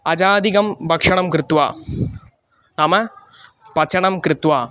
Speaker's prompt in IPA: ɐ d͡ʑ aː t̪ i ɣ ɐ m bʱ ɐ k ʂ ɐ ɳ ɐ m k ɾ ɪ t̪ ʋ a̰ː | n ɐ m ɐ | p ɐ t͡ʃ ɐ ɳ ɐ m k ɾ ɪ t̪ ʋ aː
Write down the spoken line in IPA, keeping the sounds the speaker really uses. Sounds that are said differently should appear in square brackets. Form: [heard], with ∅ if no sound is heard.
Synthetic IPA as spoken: ɐ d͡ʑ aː [d̪] i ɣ ɐ m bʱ ɐ k ʂ ɐ ɳ ɐ m k ɾ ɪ t̪ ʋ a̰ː | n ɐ m ɐ | p ɐ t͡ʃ ɐ ɳ ɐ m k ɾ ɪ t̪ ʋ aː

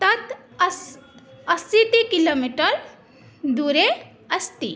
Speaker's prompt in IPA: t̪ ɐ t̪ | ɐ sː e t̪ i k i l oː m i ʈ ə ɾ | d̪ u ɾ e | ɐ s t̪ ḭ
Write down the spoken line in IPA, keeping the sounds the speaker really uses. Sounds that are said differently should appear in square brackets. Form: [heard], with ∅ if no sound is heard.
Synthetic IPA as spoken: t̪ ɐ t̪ | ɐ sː [i] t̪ i k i l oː m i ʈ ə ɾ | d̪ u ɾ e | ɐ s t̪ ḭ

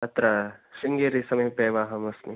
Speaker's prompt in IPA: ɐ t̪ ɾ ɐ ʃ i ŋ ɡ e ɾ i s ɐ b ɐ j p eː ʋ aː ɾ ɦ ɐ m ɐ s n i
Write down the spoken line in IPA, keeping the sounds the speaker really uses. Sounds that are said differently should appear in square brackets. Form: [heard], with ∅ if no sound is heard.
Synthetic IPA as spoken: ɐ t̪ ɾ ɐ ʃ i ŋ ɡ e ɾ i s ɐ [m] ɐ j p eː ʋ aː [∅] ɦ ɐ m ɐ s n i

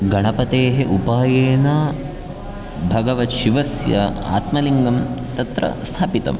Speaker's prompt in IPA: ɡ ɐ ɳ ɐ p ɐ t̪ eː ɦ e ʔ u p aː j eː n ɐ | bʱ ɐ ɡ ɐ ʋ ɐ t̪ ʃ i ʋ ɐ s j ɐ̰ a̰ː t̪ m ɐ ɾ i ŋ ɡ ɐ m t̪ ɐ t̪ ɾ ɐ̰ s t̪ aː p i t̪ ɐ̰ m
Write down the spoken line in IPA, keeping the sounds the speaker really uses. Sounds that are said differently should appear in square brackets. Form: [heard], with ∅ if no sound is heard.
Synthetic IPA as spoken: ɡ ɐ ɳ ɐ p ɐ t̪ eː ɦ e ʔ u p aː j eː n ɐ | bʱ ɐ ɡ ɐ ʋ ɐ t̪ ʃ i ʋ ɐ s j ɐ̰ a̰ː t̪ m ɐ [l] i ŋ ɡ ɐ m t̪ ɐ t̪ ɾ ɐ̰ s [t̪ʰ] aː p i t̪ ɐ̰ m

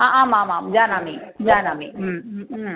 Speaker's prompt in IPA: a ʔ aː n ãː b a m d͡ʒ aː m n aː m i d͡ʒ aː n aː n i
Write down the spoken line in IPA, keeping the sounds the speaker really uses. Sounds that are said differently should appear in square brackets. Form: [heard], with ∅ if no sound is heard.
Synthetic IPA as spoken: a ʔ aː [m] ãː [m] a m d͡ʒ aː [∅] n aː m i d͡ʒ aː n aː [m] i

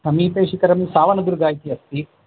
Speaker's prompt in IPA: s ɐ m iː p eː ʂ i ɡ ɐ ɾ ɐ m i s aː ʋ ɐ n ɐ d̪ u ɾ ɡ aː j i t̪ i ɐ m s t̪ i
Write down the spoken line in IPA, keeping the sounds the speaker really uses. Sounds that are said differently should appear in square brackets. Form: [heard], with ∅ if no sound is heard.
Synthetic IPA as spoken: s ɐ m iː p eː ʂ i [k] ɐ ɾ ɐ m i s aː ʋ ɐ n ɐ d̪ u ɾ ɡ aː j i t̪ i ɐ [∅] s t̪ i

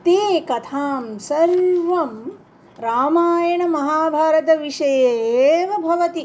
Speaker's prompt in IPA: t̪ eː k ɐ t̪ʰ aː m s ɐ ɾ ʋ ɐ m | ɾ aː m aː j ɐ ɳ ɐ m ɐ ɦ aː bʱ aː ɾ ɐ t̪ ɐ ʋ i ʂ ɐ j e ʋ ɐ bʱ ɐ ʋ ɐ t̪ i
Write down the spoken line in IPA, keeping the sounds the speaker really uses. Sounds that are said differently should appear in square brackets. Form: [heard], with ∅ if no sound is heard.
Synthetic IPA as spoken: t̪ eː k ɐ t̪ʰ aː m s ɐ ɾ ʋ ɐ m | ɾ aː m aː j ɐ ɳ ɐ m ɐ ɦ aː bʱ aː ɾ ɐ t̪ ɐ ʋ i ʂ ɐ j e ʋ ɐ bʱ ɐ ʋ ɐ t̪ i

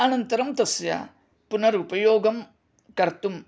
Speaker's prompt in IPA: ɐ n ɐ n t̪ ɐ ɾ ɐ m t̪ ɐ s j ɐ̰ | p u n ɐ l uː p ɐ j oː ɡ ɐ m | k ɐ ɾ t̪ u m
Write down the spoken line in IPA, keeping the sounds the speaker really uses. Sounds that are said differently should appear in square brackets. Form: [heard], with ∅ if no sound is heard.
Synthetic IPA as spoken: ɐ n ɐ n t̪ ɐ ɾ ɐ m t̪ ɐ s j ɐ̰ | p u n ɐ [ɾ] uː p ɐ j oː ɡ ɐ m | k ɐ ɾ t̪ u m

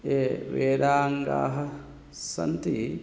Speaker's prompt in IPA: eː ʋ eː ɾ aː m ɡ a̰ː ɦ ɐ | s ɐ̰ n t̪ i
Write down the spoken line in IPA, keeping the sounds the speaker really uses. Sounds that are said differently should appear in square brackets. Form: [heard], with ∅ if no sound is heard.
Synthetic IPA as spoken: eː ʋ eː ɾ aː [ŋ] ɡ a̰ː ɦ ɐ | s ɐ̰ n t̪ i

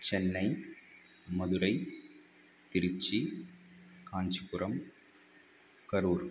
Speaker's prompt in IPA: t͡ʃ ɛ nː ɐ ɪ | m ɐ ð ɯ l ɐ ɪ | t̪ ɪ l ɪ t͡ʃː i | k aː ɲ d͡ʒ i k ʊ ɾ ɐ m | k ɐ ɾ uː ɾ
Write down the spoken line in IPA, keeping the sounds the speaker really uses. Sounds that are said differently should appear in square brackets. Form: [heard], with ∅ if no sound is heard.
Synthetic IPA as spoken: t͡ʃ ɛ nː ɐ ɪ | m ɐ ð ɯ [ɾ] ɐ ɪ | t̪ ɪ [ɾ] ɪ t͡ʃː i | k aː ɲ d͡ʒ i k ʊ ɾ ɐ m | k ɐ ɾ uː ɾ

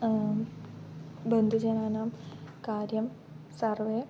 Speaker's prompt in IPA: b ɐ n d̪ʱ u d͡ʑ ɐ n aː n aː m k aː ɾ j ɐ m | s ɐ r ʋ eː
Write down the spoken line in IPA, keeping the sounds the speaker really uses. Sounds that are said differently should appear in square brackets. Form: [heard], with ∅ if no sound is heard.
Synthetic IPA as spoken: b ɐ n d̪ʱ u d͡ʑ ɐ n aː n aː m k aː ɾ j ɐ m | s ɐ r ʋ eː

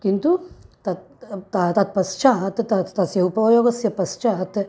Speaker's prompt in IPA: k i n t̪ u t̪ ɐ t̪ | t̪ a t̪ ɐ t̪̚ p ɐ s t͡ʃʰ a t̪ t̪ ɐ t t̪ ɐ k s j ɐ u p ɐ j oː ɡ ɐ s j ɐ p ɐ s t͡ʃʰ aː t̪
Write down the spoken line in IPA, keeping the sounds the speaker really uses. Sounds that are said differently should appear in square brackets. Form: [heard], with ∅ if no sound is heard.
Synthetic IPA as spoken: k i n t̪ u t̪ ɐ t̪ | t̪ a t̪ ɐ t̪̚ p ɐ s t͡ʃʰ a t̪ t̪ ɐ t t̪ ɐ [∅] s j ɐ u p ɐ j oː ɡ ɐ s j ɐ p ɐ s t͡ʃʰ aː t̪

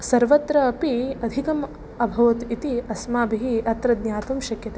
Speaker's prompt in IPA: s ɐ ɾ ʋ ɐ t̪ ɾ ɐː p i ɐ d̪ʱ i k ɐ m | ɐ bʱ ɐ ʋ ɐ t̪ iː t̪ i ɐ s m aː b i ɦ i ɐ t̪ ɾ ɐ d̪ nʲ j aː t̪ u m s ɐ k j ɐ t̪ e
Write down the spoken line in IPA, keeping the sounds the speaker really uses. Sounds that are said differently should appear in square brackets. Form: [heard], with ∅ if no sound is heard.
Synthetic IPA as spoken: s ɐ ɾ ʋ ɐ t̪ ɾ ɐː p i ɐ d̪ʱ i k ɐ m | ɐ bʱ ɐ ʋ ɐ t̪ [i] t̪ i ɐ s m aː b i ɦ i ɐ t̪ ɾ ɐ d̪ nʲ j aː t̪ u m [ʃ] ɐ k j ɐ t̪ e

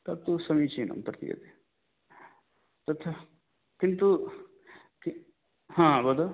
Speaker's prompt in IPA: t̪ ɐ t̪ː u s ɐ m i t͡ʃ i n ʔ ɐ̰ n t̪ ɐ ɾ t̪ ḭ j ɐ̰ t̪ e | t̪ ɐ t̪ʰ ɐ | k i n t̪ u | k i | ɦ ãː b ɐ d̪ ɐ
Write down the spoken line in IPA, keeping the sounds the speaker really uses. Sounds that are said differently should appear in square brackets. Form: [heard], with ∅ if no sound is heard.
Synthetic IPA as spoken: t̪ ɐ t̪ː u s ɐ m i t͡ʃ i n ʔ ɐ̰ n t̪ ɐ ɾ t̪ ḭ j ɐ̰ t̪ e | t̪ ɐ t̪ʰ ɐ | k i n t̪ u | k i | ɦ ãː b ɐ d̪ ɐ

